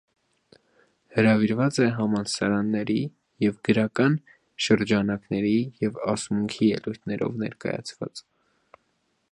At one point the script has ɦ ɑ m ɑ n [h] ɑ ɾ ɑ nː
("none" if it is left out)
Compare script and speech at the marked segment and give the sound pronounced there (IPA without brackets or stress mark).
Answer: s